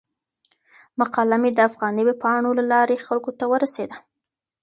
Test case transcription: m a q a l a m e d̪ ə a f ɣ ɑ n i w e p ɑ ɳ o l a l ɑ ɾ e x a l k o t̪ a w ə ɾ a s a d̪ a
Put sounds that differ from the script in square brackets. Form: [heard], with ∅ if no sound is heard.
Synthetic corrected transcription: m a q [ɑ] l a m e d̪ ə a f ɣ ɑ n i w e p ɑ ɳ o l a l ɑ ɾ e x a l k o t̪ a w ə ɾ a s [e] d̪ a